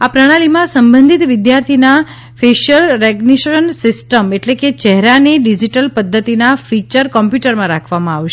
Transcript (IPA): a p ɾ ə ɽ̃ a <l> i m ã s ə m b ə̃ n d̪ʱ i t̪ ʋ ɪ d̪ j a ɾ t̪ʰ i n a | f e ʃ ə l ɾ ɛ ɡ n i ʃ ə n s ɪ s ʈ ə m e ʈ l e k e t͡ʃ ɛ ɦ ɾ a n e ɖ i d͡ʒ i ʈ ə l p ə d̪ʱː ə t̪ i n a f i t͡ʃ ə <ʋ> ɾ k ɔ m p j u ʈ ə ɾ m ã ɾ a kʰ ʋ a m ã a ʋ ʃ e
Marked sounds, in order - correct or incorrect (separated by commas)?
correct, incorrect